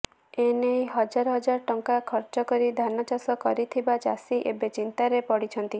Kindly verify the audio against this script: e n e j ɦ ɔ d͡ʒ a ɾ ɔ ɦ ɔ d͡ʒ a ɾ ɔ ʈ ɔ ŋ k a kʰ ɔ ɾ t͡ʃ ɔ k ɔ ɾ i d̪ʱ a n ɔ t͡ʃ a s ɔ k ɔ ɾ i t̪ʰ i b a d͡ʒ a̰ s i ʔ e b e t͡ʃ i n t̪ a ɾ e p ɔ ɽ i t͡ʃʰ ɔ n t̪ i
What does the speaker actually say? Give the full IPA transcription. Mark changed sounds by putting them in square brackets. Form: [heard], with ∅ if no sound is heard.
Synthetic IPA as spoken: e n e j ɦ ɔ d͡ʒ a ɾ ɔ ɦ ɔ d͡ʒ a ɾ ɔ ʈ ɔ ŋ k a kʰ ɔ ɾ t͡ʃ ɔ k ɔ ɾ i d̪ʱ a n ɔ t͡ʃ a s ɔ k ɔ ɾ i t̪ʰ i b a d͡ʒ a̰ s i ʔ e b e t͡ʃ i n t̪ a ɾ e p ɔ ɽ i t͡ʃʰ ɔ n t̪ i

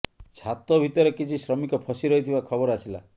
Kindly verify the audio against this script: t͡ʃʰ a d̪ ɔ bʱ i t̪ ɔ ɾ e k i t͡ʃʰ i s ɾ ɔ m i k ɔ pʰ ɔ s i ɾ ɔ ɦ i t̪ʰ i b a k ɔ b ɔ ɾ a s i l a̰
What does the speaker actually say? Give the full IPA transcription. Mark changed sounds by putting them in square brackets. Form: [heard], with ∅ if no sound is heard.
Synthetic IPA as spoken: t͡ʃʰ a [t̪] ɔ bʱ i t̪ ɔ ɾ e k i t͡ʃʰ i s ɾ ɔ m i k ɔ pʰ ɔ s i ɾ ɔ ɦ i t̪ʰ i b a [kʰ] ɔ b ɔ ɾ a s i l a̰

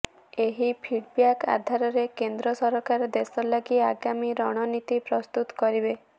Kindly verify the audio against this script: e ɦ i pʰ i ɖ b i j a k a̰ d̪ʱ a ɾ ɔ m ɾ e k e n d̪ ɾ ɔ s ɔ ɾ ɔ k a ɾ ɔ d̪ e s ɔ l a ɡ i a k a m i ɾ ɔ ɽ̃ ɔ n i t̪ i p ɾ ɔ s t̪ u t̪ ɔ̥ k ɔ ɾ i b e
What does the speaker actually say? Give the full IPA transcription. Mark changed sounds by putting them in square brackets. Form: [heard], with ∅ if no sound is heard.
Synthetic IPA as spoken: e ɦ i pʰ i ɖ b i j a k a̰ d̪ʱ a ɾ ɔ [∅] ɾ e k e n d̪ ɾ ɔ s ɔ ɾ ɔ k a ɾ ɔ d̪ e s ɔ l a ɡ i a [ɡ] a m i ɾ ɔ ɽ̃ ɔ n i t̪ i p ɾ ɔ s t̪ u t̪ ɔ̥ k ɔ ɾ i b e

